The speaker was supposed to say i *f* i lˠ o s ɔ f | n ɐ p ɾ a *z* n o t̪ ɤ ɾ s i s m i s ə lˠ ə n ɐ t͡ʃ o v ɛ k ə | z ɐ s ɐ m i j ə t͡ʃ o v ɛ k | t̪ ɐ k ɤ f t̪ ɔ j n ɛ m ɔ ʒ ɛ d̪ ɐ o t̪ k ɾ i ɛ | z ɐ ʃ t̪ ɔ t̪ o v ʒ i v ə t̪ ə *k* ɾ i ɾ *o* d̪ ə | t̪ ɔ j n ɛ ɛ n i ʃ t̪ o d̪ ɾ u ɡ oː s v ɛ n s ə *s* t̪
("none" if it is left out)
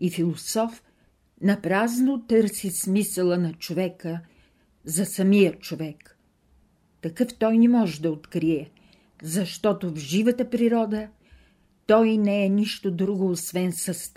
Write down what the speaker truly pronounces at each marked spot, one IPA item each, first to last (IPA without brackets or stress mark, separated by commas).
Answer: f, z, p, ɔ, s